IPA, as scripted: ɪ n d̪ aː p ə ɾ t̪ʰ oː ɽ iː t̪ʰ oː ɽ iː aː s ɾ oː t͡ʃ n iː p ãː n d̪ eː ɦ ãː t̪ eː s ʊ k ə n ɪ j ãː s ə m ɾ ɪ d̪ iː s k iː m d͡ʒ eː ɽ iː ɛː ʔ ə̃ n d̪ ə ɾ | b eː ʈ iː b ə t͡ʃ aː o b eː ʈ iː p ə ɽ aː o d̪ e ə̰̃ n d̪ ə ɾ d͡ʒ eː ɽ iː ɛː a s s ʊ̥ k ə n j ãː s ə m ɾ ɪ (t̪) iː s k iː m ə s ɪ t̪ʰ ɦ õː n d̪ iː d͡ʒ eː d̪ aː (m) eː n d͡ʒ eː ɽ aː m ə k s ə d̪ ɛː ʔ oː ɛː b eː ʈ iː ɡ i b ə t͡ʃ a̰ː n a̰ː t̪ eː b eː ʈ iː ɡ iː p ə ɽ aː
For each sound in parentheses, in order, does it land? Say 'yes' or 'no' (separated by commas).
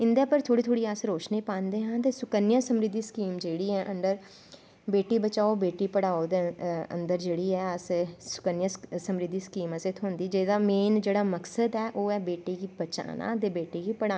no, yes